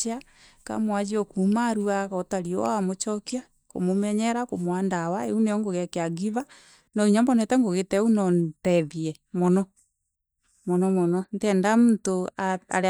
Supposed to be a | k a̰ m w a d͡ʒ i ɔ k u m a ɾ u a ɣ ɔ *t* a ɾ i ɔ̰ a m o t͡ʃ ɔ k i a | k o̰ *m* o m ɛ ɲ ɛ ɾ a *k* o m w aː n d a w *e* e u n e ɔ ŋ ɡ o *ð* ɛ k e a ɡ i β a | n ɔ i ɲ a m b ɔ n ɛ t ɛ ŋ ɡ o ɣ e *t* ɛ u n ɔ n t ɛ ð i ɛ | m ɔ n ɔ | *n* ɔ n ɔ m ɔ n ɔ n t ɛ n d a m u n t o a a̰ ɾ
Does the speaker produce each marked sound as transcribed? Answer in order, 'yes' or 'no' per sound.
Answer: yes, yes, yes, no, no, yes, no

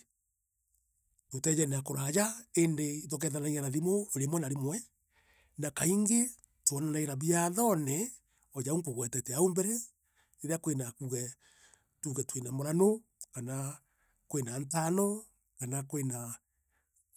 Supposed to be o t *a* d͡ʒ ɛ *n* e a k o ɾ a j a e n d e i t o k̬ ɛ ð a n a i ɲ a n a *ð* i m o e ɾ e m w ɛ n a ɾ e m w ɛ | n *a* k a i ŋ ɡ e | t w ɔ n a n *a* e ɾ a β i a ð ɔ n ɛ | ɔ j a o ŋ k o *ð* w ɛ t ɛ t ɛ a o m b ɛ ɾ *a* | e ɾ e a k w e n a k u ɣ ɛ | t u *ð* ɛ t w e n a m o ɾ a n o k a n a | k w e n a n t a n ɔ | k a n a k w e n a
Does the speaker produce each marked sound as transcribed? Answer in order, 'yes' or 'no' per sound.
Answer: no, yes, yes, yes, yes, no, no, no

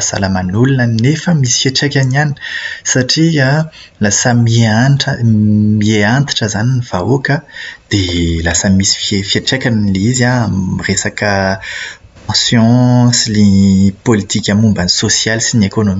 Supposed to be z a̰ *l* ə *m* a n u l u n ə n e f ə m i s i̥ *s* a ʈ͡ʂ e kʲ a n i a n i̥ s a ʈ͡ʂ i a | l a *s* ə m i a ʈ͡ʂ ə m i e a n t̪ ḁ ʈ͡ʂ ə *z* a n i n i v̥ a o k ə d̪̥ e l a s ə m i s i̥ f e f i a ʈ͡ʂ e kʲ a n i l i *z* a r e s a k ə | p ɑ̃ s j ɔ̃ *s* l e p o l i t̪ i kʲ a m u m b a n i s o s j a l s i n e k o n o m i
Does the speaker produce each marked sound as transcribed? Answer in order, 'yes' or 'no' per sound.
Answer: yes, yes, no, yes, yes, yes, yes

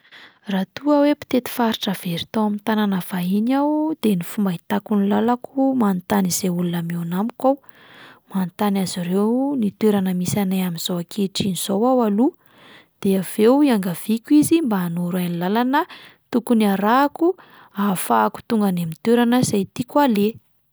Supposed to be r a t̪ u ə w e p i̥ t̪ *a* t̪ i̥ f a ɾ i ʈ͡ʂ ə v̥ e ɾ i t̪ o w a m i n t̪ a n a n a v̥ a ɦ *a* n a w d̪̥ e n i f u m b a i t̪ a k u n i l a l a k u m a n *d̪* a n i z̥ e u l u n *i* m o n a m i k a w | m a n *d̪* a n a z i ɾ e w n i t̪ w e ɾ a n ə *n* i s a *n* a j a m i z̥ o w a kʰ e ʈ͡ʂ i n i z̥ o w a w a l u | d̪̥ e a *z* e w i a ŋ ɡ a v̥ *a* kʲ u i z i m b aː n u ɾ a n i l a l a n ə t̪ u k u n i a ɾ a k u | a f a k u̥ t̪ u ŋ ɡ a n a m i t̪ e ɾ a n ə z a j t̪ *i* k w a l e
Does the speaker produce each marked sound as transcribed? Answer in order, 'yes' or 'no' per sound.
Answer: no, no, no, no, no, no, yes, no, no, yes

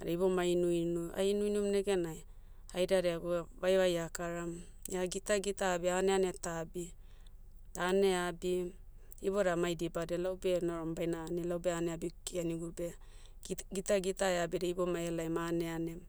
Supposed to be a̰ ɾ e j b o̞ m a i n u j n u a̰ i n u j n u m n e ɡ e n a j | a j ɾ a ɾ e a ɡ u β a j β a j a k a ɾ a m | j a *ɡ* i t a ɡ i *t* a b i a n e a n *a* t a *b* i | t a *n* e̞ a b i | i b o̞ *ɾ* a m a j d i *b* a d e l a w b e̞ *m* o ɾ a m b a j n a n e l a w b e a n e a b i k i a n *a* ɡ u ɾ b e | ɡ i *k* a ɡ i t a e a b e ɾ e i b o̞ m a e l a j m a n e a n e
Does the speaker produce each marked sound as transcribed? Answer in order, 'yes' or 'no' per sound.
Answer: yes, yes, no, yes, yes, yes, yes, no, no, no

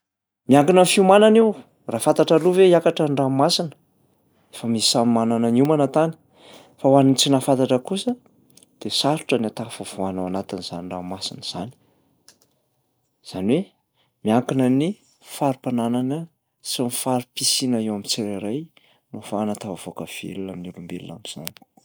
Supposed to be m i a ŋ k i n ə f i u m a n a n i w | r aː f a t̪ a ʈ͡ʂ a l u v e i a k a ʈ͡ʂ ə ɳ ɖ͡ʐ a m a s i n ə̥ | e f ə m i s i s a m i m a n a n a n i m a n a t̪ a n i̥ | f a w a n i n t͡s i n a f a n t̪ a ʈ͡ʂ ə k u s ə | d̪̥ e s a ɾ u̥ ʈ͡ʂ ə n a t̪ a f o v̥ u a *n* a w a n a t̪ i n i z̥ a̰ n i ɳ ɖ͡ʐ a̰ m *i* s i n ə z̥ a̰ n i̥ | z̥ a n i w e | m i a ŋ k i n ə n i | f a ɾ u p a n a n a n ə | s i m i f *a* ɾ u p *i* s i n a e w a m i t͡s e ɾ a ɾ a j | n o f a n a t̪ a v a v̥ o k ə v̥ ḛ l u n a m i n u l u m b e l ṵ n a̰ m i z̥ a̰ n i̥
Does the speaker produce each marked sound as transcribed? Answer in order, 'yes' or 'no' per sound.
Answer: yes, no, yes, yes

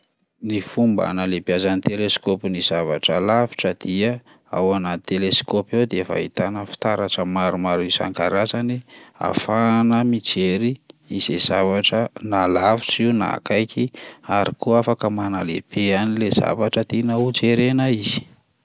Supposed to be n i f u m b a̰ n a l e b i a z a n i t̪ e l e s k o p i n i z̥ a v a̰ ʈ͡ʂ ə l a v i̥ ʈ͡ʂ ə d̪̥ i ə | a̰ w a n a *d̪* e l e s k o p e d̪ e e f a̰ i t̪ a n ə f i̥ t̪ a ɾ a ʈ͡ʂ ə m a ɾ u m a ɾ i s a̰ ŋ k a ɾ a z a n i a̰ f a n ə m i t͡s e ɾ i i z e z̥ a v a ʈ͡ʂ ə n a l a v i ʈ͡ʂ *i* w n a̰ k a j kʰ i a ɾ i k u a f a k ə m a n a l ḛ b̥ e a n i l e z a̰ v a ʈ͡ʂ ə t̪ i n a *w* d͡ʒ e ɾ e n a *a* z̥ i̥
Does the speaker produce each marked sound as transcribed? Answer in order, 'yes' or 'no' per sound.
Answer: no, yes, no, no

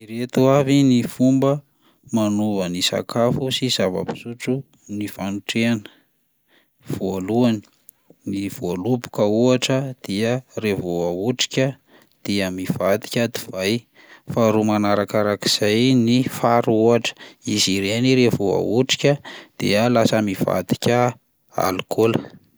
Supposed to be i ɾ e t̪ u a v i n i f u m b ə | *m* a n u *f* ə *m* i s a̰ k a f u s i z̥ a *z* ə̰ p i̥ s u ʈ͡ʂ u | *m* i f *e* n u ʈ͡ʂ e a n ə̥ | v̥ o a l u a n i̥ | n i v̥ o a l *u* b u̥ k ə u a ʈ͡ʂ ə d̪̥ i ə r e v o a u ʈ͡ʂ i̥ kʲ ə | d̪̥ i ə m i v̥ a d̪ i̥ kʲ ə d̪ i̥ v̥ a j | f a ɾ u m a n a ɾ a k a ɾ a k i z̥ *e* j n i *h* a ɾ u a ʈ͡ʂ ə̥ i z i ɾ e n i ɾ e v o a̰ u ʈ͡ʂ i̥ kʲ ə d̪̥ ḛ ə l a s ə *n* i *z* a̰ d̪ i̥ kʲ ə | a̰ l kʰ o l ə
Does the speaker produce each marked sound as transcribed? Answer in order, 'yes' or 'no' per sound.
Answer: yes, no, no, no, no, no, yes, no, no, no, no

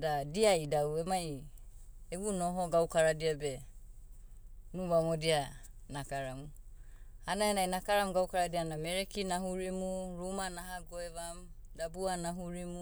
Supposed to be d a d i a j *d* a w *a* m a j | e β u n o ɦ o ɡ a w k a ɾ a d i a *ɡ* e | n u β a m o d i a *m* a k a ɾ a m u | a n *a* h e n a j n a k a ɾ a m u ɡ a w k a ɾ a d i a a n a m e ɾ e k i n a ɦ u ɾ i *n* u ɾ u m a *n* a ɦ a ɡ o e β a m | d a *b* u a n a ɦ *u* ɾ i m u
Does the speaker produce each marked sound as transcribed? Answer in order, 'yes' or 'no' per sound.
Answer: yes, no, no, no, yes, no, yes, yes, yes

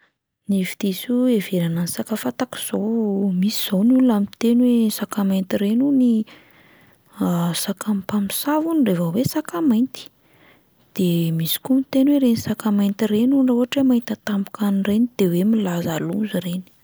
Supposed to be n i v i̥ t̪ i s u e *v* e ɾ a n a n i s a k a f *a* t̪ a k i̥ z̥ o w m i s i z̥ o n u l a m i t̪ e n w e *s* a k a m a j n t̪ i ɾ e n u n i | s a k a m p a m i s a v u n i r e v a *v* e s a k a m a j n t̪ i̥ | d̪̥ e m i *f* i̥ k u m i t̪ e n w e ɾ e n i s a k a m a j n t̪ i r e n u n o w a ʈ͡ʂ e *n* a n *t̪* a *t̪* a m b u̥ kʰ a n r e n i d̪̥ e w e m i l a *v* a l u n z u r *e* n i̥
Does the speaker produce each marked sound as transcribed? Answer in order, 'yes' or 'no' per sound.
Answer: yes, yes, yes, no, no, no, yes, yes, no, yes

